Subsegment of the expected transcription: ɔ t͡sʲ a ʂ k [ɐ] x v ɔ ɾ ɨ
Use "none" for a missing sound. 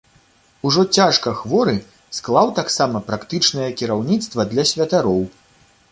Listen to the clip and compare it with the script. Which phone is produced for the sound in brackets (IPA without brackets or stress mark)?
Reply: ɐ